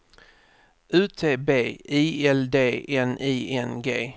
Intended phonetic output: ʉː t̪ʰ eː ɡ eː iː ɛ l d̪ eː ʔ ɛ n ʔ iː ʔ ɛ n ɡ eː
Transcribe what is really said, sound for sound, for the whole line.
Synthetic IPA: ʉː t̪ʰ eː b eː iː ɛ l d̪ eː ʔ ɛ n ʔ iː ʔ ɛ n ɡ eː